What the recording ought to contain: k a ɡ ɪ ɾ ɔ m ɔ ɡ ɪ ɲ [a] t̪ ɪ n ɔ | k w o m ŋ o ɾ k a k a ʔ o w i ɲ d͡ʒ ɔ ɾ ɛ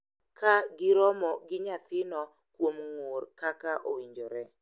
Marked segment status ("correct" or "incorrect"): correct